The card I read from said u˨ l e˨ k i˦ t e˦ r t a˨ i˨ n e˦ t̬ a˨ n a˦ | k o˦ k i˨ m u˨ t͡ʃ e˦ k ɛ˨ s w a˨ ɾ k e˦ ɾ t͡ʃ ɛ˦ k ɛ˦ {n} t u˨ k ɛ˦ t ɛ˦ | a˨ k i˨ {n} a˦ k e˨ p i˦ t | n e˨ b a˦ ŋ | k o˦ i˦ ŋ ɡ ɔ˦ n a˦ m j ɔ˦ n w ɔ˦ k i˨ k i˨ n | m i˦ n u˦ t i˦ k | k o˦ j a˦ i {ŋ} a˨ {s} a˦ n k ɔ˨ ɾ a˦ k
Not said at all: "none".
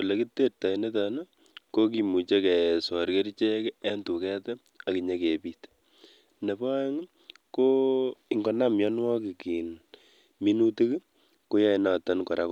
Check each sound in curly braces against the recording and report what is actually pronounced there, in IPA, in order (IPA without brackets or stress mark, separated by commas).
n, ɲ, n, t